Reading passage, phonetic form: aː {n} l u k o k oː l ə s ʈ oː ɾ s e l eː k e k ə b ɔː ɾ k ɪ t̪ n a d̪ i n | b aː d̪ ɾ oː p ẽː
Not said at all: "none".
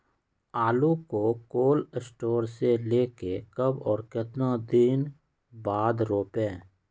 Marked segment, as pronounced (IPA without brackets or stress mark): none